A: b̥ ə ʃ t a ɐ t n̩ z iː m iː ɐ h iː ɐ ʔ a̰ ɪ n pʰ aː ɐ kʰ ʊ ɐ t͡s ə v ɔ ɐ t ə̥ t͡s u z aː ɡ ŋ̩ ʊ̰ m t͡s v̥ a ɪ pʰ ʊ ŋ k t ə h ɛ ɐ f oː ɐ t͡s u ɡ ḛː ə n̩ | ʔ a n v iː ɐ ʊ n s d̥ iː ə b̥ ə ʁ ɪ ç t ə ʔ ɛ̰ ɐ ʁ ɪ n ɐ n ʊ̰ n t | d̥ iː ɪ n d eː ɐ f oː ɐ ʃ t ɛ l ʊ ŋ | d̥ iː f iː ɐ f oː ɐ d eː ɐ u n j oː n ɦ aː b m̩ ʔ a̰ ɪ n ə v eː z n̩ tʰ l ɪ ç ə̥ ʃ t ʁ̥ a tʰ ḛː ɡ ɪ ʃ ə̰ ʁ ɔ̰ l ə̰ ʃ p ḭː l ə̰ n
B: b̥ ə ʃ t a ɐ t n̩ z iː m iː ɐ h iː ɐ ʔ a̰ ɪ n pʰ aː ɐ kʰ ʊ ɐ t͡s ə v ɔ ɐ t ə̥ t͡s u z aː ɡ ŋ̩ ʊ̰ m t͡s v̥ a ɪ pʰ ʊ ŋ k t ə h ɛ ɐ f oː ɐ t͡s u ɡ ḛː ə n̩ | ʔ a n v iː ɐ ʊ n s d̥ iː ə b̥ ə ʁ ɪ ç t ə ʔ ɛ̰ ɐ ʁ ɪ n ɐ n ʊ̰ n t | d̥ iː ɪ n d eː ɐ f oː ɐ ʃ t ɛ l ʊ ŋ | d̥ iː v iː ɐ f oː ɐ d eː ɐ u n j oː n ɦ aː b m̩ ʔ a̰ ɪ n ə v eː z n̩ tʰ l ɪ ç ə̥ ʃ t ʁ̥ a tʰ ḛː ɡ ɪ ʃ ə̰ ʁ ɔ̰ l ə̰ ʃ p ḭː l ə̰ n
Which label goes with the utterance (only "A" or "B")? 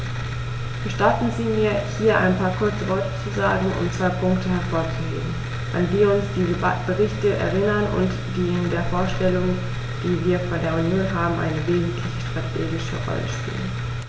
B